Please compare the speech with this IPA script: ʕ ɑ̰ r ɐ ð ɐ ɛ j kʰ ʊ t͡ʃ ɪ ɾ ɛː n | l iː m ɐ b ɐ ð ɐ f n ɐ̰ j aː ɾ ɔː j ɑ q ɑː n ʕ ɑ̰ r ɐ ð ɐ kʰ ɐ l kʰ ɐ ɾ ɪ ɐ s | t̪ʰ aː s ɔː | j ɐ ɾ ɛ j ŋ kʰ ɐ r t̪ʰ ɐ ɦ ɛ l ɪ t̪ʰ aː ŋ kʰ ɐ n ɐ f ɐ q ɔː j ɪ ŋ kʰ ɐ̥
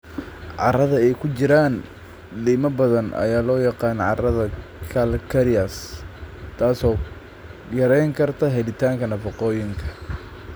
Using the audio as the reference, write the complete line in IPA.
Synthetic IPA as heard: ʕ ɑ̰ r ɐ ð ɐ ɛ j kʰ ʊ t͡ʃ ɪ ɾ aː n | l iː m ɐ b ɐ ð ɐ n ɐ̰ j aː l ɔː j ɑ q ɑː n ʕ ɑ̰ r ɐ ð ɐ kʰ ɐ l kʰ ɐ ɾ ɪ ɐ s | t̪ʰ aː s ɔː | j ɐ ɾ ɛ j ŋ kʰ ɐ r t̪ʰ ɐ ɦ ɛ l ɪ t̪ʰ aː ŋ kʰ ɐ n ɐ f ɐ q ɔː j ɪ ŋ kʰ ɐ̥